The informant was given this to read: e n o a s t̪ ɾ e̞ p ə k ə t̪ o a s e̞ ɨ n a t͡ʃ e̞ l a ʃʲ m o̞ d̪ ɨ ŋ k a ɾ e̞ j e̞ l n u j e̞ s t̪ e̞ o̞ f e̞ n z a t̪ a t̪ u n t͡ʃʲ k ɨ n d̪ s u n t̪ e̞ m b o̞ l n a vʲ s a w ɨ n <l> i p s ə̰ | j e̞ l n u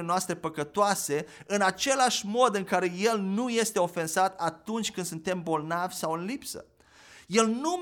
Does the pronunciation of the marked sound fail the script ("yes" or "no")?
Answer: no